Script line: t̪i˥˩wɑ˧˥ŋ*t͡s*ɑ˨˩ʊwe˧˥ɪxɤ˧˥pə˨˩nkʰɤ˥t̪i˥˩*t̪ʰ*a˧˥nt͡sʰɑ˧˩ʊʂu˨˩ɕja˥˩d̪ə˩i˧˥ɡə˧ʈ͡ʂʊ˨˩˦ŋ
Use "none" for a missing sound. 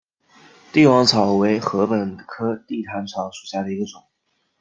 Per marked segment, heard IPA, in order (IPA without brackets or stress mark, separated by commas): t͡sʰ, t̪ʰ